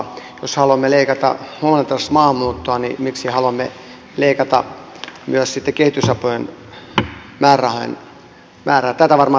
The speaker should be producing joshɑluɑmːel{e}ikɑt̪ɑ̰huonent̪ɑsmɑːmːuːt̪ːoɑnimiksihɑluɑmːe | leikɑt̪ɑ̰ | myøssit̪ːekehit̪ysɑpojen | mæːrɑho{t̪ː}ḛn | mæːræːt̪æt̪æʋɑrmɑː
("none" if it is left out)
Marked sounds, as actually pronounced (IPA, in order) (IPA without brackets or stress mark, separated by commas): e, none